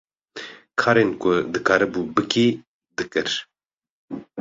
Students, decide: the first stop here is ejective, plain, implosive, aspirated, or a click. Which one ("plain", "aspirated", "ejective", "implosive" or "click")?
aspirated